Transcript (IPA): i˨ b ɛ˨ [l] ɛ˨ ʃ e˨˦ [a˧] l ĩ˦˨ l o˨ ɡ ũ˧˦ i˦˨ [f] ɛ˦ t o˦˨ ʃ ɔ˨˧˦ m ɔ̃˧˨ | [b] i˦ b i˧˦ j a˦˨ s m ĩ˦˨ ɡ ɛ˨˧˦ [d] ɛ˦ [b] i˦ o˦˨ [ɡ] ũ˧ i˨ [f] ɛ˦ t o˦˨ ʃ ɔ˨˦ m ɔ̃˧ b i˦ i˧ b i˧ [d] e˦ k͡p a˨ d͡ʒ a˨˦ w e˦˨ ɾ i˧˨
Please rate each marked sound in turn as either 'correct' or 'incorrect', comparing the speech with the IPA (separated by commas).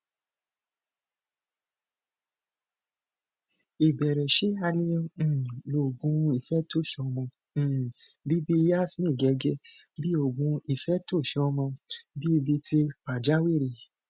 incorrect, correct, correct, correct, incorrect, correct, correct, correct, incorrect